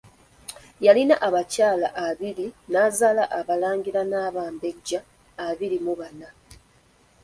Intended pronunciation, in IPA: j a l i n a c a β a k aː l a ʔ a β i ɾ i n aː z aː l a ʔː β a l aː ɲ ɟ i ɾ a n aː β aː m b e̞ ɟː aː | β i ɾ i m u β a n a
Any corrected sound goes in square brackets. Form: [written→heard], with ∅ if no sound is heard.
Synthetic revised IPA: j a l i n a [c→ʔ] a β a [k→c] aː l a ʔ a β i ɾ i n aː z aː l a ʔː β a l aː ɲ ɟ i ɾ a n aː β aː m b e̞ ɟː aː | β i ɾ i m u β a n a